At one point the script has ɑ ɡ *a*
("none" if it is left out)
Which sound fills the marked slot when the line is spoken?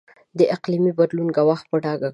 a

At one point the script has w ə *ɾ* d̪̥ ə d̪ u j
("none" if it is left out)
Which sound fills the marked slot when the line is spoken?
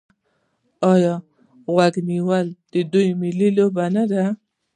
l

